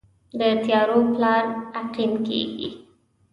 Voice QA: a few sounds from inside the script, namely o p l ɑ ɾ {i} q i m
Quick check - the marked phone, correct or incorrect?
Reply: incorrect